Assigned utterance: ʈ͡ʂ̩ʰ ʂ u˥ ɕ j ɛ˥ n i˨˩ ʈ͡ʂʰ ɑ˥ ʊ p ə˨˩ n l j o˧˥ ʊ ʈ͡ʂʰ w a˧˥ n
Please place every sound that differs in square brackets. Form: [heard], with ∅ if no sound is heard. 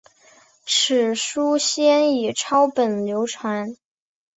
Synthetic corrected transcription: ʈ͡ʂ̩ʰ ʂ u˥ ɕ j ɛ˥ n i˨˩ ʈ͡ʂʰ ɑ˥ ʊ p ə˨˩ n l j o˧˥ ʊ ʈ͡ʂʰ w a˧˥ n